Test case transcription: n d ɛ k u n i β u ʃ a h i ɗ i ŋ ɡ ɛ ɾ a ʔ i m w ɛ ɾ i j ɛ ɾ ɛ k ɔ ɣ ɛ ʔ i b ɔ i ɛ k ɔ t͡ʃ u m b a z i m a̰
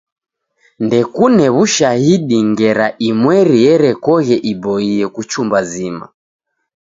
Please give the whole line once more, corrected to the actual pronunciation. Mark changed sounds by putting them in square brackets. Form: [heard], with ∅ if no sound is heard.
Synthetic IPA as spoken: n d ɛ k u n [ɛ] β u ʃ a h i ɗ i ŋ ɡ ɛ ɾ a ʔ i m w ɛ ɾ i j ɛ ɾ ɛ k ɔ ɣ ɛ ʔ i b ɔ i ɛ k [u] t͡ʃ u m b a z i m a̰